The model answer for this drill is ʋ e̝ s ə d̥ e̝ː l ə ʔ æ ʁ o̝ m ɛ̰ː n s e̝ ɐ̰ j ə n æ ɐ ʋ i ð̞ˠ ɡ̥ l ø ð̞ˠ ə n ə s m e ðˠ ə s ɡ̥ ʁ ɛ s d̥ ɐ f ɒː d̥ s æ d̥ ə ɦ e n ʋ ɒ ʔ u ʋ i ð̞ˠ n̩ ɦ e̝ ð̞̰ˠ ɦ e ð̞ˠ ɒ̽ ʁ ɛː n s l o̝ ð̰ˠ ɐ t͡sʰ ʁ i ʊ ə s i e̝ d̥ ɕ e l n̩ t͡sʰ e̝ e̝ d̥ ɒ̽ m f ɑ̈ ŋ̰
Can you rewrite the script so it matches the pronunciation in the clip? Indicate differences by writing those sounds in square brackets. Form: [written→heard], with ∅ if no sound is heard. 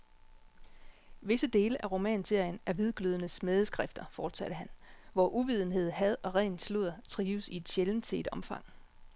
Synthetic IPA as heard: ʋ e̝ s ə d̥ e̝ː l ə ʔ æ ʁ o̝ m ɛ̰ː n s e̝ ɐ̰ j ə n æ ɐ ʋ i ð̞ˠ ɡ̥ l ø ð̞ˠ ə n ə s m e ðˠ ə s ɡ̥ ʁ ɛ [s→f] d̥ ɐ f ɒː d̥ s æ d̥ ə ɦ [e→æ] n ʋ ɒ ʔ u ʋ i ð̞ˠ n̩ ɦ e̝ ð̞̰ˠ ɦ [e→æ] ð̞ˠ ɒ̽ ʁ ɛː n s l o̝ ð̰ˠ ɐ t͡sʰ ʁ [i→iː] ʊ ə s i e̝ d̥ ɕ e l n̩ t͡sʰ e̝ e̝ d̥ ɒ̽ m f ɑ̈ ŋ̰

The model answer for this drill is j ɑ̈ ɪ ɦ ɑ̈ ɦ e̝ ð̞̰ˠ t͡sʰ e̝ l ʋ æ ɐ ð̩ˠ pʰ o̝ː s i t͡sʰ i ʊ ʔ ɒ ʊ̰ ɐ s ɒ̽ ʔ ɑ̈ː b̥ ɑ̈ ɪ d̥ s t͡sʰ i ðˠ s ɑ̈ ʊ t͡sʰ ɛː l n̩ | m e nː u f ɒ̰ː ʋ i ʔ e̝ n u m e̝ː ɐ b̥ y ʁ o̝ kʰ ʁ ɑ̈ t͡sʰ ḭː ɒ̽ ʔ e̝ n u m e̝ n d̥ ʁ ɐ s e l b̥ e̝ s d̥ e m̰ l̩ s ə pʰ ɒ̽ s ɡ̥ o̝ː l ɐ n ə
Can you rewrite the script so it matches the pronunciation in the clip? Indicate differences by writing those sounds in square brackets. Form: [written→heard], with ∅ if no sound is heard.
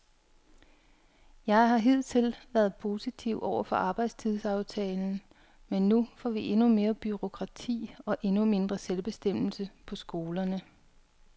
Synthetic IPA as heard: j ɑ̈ ɪ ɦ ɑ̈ ɦ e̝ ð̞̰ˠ t͡sʰ e̝ l ʋ æ ɐ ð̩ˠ pʰ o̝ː s i t͡sʰ i ʊ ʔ ɒ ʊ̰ ɐ [s→f] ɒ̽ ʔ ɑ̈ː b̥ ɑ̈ ɪ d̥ s t͡sʰ i ðˠ s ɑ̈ ʊ t͡sʰ ɛː l n̩ | m e nː u f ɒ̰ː ʋ i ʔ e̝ n u m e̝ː ɐ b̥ y ʁ o̝ kʰ ʁ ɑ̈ t͡sʰ ḭː ɒ̽ ʔ e̝ n u m e̝ n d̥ ʁ ɐ s e l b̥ e̝ s d̥ e m̰ l̩ s ə pʰ ɒ̽ s ɡ̥ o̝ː l ɐ n ə

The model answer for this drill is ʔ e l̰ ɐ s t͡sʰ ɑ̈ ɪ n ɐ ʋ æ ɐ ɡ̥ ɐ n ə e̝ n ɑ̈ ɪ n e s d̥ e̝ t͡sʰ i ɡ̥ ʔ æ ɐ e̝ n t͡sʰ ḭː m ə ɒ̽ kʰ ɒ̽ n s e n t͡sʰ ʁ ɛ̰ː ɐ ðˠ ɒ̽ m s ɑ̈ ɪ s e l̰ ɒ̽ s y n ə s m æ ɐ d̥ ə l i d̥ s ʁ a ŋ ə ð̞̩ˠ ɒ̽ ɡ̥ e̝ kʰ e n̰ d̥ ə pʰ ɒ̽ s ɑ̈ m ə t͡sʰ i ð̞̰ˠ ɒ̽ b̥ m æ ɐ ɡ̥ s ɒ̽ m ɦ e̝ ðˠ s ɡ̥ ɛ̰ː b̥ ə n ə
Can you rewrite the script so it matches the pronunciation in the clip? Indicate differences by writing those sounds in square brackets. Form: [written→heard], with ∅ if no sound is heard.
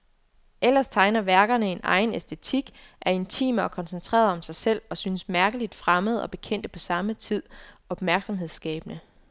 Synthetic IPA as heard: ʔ e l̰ ɐ s t͡sʰ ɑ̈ ɪ n ɐ ʋ æ ɐ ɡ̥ ɐ n ə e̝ n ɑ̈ ɪ n e s d̥ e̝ t͡sʰ i ɡ̥ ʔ æ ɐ e̝ n t͡sʰ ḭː m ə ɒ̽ kʰ ɒ̽ n s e n t͡sʰ ʁ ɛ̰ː ɐ ðˠ ɒ̽ m s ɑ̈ ɪ s e l̰ ɒ̽ s y n ə s m æ ɐ [d̥→ɡ̥] ə l i d̥ [s→f] ʁ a [ŋ→m] ə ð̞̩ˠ ɒ̽ [ɡ̥→b̥] e̝ kʰ e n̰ d̥ ə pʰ ɒ̽ s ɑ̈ m ə t͡sʰ i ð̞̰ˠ ɒ̽ b̥ m æ ɐ ɡ̥ s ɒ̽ m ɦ e̝ ðˠ s ɡ̥ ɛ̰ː b̥ ə n ə

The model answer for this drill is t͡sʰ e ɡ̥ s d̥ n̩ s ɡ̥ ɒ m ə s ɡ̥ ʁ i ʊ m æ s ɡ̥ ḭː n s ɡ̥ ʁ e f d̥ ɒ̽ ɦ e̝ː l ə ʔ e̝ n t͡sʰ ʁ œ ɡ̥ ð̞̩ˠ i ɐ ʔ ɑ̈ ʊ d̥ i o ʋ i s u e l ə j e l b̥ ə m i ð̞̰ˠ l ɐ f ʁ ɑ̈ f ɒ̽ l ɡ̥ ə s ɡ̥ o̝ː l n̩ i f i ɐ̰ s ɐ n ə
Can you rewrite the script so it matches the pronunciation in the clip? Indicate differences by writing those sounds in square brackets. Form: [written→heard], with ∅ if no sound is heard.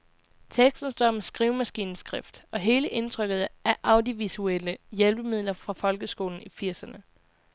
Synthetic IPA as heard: t͡sʰ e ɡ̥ s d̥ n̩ s [ɡ̥→d̥] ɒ m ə s ɡ̥ ʁ i ʊ m æ s ɡ̥ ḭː n s ɡ̥ ʁ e f d̥ ɒ̽ ɦ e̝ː l ə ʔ e̝ n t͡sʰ ʁ œ ɡ̥ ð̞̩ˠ [i→æ] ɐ ʔ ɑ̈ ʊ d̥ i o ʋ i s u e l ə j e l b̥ ə m i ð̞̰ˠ l ɐ f ʁ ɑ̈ f ɒ̽ l ɡ̥ ə s ɡ̥ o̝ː l n̩ i f i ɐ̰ s ɐ n ə

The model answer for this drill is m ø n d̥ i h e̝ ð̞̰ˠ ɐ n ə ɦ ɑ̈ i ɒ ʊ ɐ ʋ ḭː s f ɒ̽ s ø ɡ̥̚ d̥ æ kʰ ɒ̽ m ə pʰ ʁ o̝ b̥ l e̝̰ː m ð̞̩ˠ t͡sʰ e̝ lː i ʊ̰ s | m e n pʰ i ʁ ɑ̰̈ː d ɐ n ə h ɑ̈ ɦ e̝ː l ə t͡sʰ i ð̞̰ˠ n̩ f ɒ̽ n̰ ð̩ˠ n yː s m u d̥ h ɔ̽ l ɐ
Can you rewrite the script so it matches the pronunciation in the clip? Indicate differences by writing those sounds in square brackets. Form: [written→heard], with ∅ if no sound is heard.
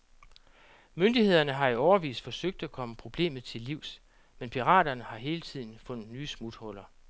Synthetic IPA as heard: m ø n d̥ i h e̝ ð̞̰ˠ ɐ n ə ɦ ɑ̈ i ɒ ʊ ɐ ʋ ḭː s f ɒ̽ s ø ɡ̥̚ d̥ æ kʰ ɒ̽ m ə pʰ ʁ o̝ b̥ l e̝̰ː m ð̞̩ˠ t͡sʰ e̝ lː i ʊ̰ s | m e n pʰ i ʁ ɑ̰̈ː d ɐ n ə h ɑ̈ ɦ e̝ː l ə t͡sʰ i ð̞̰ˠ n̩ f [ɒ̽→ɔ̽] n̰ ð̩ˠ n yː s m u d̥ h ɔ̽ l ɐ

